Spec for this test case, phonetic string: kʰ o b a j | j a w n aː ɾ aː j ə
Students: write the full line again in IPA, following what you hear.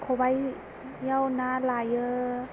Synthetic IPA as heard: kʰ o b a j | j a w n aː l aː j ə